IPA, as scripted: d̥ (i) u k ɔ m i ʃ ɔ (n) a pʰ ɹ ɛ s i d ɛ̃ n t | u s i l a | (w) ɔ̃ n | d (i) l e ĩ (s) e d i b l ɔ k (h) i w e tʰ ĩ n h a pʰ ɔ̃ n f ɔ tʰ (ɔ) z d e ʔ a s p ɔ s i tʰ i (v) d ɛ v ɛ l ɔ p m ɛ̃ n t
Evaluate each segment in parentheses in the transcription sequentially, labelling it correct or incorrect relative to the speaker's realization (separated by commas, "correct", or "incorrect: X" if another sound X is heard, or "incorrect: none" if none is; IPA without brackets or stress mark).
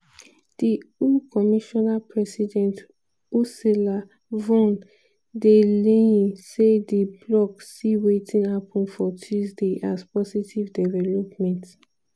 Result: correct, correct, incorrect: v, incorrect: e, correct, incorrect: s, incorrect: u, correct